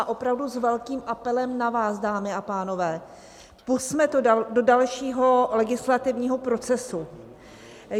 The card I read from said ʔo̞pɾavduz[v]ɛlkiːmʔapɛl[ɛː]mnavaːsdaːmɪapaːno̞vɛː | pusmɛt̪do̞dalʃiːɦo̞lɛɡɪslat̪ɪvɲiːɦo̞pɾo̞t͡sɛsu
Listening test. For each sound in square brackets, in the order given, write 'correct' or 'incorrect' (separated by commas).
correct, incorrect